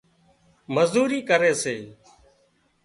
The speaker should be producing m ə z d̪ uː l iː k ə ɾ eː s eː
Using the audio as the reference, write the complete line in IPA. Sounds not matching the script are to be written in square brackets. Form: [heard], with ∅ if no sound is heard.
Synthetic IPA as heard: m ə z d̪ uː [ɾ] iː k ə ɾ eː s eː